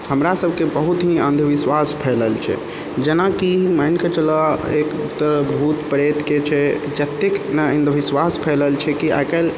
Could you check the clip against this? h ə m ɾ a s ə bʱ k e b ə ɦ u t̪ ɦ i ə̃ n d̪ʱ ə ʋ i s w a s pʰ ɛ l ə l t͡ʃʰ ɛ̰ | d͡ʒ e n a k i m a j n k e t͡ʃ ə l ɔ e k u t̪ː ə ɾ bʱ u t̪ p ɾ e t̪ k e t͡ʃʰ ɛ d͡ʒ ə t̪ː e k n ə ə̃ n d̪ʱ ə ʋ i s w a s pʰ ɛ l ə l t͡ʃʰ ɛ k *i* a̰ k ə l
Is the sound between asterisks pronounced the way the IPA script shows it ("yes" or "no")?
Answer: yes